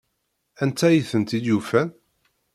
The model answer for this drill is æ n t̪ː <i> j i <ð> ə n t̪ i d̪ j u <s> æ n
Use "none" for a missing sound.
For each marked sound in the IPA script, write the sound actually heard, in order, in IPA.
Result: æ, θ, f

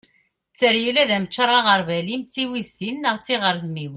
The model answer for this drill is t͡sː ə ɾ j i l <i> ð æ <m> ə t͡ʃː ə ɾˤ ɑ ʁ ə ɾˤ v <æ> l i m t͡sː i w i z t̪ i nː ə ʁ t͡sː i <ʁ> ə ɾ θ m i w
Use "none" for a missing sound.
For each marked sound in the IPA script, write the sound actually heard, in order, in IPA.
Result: æ, m, æ, ʁ

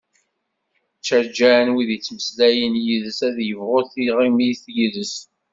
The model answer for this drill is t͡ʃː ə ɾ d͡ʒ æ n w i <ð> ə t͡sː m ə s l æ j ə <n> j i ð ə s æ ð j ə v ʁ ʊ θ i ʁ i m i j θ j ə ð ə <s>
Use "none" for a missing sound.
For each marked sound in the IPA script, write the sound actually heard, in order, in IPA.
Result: ð, n, s

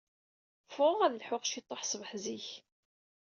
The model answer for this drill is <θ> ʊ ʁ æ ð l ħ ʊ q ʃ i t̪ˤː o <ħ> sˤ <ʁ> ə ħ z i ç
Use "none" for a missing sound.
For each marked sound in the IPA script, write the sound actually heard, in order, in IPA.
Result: f, ħ, v

